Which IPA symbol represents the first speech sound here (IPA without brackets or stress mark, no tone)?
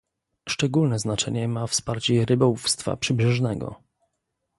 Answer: ʂ